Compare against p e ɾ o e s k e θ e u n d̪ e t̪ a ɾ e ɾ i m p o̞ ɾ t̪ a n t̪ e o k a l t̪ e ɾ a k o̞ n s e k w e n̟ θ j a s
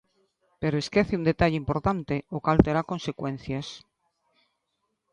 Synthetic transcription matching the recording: p e ɾ o e s k e θ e u n d̪ e t̪ a ʎ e i m p o̞ ɾ t̪ a n t̪ e o k a l t̪ e ɾ a k o̞ n s e k w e n̟ θ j a s